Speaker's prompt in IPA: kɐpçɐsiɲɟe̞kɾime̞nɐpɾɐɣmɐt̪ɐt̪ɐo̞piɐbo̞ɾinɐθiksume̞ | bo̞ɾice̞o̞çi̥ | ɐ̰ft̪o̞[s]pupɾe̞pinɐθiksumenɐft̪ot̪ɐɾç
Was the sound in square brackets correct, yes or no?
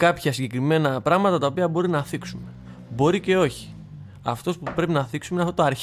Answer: yes